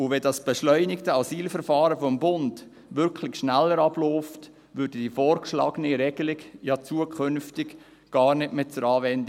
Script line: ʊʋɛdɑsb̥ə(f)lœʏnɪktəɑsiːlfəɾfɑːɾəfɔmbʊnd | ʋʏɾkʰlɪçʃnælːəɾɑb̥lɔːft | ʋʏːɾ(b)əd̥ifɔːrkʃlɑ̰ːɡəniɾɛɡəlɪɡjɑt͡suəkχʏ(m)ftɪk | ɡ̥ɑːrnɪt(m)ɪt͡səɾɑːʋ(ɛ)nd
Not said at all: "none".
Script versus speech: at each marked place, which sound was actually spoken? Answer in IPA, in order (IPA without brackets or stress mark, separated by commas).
ʃ, d, n, m, ɛ